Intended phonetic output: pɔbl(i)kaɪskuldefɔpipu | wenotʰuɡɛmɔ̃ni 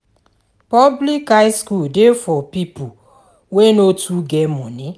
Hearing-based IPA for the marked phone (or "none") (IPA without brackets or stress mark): i